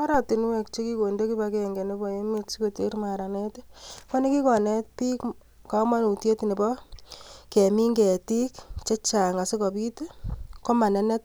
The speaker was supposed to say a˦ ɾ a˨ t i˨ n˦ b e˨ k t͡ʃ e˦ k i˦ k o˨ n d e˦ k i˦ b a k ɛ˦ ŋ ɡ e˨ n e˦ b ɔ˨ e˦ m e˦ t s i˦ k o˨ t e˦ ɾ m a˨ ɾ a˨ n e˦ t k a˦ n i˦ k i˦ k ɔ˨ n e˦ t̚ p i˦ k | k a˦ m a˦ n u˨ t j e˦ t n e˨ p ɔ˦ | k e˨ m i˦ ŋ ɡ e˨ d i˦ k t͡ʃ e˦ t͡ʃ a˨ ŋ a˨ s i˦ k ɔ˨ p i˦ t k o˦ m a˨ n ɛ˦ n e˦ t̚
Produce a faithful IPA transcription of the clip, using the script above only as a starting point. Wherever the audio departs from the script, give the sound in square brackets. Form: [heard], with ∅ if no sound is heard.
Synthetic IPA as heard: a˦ ɾ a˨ t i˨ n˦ [w] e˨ k t͡ʃ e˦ k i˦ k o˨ n d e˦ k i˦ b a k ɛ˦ ŋ ɡ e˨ n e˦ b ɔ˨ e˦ m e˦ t s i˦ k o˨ t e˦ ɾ m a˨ ɾ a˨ n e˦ t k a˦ n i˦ k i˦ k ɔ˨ n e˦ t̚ p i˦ k | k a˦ m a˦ n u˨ t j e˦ t n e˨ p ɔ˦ | k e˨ m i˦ ŋ ɡ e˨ [t] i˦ k t͡ʃ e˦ t͡ʃ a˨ ŋ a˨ s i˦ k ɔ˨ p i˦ t k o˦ m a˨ n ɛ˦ n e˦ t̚